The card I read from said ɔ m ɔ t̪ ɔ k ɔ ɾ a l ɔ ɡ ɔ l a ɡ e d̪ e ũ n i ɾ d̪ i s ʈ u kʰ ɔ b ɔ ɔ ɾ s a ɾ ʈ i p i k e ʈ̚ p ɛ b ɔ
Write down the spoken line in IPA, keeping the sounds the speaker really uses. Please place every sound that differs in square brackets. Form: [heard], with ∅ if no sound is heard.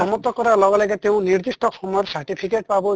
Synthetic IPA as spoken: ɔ m ɔ t̪ ɔ k ɔ ɾ a l ɔ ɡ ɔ l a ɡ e [t̪] e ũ n i ɾ d̪ i s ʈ [ɔ] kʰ ɔ [m] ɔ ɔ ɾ s a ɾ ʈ i [pʰ] i k e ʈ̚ p [a] b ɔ